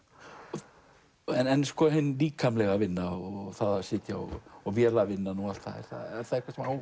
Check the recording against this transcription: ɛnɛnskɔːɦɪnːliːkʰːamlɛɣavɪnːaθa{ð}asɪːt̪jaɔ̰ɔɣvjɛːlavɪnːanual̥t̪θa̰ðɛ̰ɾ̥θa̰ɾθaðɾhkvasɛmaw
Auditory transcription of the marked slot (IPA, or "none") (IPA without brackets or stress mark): ð